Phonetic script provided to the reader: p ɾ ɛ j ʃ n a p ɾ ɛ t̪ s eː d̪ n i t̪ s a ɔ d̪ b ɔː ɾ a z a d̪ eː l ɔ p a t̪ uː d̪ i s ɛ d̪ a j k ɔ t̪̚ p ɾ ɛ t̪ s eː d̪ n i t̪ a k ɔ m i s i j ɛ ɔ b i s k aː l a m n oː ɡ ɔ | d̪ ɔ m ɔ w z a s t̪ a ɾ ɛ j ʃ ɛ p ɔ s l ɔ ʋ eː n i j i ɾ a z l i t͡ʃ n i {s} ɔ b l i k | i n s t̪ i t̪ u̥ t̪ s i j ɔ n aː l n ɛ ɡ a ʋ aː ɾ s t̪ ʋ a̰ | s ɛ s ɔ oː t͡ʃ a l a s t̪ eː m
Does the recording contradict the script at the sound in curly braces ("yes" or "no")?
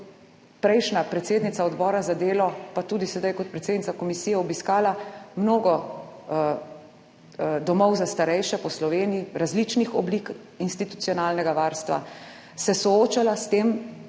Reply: yes